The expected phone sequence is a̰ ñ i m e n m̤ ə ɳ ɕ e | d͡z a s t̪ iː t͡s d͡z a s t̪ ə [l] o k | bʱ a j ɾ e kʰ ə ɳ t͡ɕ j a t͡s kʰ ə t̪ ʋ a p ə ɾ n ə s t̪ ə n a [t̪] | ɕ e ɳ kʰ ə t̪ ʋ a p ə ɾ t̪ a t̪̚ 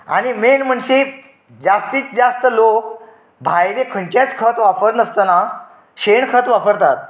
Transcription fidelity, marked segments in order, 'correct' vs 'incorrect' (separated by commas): correct, incorrect